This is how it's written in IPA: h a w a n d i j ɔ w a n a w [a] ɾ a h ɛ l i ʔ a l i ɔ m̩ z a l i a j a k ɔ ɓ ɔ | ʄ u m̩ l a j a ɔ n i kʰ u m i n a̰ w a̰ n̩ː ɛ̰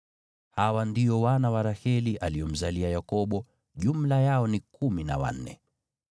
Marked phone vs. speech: correct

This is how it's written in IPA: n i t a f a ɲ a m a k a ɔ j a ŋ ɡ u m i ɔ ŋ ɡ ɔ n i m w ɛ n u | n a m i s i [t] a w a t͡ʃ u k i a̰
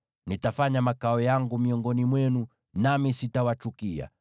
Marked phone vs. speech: correct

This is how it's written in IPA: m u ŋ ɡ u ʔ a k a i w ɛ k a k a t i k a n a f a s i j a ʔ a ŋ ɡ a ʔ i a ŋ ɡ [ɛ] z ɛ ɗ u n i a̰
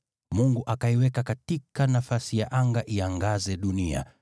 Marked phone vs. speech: incorrect: a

